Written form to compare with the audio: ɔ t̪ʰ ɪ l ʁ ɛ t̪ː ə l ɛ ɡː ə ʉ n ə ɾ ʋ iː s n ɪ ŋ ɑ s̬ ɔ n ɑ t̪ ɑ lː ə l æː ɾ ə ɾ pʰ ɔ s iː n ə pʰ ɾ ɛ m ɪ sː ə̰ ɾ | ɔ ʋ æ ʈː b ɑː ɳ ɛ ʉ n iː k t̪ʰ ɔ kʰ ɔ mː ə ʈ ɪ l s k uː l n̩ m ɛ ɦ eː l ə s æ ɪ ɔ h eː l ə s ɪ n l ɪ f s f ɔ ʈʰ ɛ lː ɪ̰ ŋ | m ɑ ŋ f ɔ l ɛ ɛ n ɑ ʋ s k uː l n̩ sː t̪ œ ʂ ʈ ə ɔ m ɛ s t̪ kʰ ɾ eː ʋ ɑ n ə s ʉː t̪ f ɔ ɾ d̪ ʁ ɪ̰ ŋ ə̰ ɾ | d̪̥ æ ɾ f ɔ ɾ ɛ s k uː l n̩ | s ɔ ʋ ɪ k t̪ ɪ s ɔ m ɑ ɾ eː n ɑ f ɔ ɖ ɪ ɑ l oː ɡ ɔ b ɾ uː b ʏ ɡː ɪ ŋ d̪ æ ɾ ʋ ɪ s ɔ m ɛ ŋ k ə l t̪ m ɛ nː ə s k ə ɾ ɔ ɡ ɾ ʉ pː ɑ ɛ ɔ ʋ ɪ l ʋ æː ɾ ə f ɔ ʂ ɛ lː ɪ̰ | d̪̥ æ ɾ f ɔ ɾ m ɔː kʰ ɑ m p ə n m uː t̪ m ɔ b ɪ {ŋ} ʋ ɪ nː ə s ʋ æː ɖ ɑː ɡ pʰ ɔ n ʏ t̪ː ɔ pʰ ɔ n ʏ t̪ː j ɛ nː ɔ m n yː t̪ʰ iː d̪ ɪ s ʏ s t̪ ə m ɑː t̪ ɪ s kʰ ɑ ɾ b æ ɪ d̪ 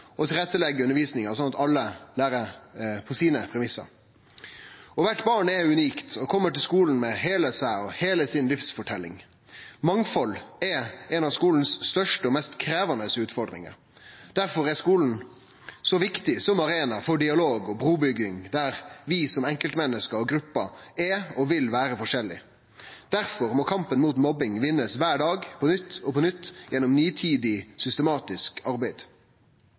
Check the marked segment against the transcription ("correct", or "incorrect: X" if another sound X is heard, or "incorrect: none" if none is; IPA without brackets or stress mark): correct